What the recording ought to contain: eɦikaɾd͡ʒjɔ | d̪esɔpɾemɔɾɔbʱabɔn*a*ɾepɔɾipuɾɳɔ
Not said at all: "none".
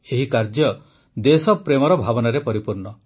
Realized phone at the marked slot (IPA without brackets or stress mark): a